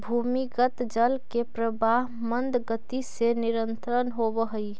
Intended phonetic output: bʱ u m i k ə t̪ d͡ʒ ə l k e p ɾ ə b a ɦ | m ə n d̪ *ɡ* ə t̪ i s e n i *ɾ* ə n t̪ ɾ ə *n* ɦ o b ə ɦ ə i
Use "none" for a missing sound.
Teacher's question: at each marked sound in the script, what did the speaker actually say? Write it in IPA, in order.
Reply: ɡ, ɾ, n

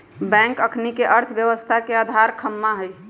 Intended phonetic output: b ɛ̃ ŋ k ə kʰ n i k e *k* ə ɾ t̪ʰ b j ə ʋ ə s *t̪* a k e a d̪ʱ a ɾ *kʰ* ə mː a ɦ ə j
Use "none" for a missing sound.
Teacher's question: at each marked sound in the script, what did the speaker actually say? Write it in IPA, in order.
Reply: ʔ, t̪ʰ, kʰ

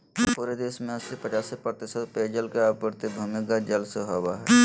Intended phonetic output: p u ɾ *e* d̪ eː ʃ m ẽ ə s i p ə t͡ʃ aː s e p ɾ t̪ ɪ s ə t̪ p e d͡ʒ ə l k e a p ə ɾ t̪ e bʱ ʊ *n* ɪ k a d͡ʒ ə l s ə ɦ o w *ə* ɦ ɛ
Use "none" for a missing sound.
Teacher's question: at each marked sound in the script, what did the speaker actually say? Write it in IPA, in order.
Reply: e, m, a

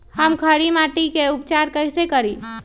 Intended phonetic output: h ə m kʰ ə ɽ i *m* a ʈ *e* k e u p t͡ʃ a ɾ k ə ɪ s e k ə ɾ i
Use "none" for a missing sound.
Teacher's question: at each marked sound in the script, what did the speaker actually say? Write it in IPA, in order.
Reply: m, i

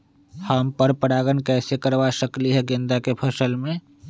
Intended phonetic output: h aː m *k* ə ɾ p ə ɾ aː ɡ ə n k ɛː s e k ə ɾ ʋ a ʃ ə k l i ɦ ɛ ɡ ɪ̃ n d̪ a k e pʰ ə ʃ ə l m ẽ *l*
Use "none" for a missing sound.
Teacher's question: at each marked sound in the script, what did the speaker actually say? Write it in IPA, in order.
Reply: p, none

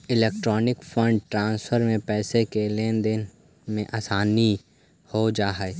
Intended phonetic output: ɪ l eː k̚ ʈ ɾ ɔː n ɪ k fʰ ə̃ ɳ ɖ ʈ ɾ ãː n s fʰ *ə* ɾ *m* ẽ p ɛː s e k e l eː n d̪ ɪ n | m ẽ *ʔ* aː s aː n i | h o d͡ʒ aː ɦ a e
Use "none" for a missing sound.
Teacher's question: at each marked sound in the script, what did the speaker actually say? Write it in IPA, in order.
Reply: ə, m, ʔ

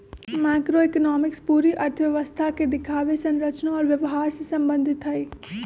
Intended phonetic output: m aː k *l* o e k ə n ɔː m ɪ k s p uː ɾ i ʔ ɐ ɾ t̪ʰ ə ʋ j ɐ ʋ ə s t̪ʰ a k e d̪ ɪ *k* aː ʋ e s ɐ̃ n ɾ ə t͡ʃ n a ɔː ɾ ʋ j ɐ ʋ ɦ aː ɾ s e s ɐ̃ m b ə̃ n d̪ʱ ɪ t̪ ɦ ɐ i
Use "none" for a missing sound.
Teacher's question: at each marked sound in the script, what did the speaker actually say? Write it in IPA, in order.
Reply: ɾ, kʰ

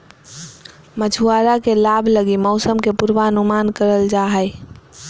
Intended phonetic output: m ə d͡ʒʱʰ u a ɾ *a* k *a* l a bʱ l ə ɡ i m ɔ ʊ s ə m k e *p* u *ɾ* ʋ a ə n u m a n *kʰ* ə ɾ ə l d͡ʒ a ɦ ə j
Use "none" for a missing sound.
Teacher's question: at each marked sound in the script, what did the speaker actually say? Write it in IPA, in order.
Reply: a, e, p, ɾ, k

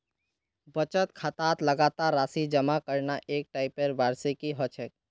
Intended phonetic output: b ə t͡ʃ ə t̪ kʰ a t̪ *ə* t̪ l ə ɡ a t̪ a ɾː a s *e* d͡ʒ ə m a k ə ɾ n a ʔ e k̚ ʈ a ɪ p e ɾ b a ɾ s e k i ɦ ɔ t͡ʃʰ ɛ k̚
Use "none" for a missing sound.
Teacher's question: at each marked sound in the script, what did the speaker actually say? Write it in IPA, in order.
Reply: a, i

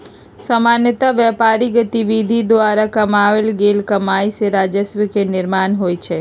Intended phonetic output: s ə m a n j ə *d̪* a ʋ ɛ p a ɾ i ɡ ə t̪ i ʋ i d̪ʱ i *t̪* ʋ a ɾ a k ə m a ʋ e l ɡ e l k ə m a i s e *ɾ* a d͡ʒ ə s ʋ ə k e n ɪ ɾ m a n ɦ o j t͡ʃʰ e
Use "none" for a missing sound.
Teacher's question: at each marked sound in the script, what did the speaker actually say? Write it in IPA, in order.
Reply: t̪, d̪, ɾ

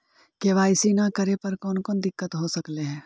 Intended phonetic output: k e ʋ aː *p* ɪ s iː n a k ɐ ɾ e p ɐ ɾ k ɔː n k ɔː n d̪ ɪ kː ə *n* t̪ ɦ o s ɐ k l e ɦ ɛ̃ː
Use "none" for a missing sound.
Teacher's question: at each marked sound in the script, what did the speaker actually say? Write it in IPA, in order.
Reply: none, none

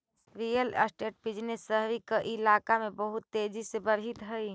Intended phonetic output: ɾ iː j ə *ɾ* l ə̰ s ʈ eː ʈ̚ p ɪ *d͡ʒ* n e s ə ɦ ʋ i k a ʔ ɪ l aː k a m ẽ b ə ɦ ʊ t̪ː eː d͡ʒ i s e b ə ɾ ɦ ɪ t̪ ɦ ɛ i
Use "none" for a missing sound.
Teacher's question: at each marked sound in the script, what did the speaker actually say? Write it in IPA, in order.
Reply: none, d͡ʒ

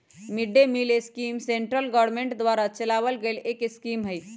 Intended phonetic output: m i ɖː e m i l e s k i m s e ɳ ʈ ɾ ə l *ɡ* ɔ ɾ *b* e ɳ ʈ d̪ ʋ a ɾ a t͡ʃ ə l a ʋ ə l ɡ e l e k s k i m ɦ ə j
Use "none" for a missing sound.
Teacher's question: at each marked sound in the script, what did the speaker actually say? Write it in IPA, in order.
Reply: ɡ, m

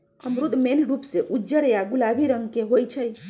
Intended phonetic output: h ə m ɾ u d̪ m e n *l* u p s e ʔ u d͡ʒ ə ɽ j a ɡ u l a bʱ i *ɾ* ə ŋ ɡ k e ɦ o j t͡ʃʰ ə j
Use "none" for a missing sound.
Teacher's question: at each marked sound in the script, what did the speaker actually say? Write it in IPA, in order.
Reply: ɾ, ɾ

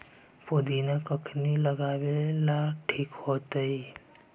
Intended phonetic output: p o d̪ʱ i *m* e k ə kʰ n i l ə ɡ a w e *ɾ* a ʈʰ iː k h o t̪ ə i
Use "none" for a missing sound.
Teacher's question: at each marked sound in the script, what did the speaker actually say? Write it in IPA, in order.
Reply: n, l

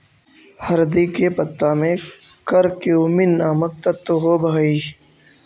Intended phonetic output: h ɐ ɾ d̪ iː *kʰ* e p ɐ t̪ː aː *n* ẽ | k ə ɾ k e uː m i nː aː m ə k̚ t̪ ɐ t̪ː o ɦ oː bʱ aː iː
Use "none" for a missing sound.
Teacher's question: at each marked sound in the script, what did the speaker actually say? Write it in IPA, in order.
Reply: k, m

